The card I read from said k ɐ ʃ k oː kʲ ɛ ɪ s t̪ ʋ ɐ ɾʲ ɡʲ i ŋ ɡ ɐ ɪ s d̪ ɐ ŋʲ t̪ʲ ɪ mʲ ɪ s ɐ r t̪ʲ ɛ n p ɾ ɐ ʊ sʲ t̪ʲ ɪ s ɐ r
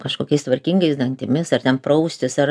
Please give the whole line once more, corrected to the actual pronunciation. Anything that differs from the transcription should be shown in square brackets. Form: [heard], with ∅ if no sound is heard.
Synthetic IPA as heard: k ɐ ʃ k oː kʲ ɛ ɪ s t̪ ʋ ɐ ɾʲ [kʲ] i ŋ ɡ ɐ ɪ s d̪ ɐ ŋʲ t̪ʲ ɪ mʲ ɪ s ɐ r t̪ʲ ɛ n p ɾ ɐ ʊ sʲ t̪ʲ ɪ s ɐ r